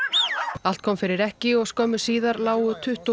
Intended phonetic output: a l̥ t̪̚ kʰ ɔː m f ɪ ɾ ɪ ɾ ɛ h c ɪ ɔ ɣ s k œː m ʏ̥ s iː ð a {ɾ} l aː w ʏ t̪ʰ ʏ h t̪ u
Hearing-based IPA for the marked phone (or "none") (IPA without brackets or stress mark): ɾ